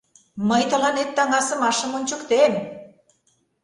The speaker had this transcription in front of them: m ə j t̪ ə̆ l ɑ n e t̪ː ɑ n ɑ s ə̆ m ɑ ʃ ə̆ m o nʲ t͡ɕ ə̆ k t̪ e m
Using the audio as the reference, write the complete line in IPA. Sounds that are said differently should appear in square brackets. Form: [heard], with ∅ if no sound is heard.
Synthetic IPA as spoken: m ə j t̪ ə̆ l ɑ n e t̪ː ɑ [ŋ] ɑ s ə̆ m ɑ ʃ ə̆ m o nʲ t͡ɕ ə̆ k t̪ e m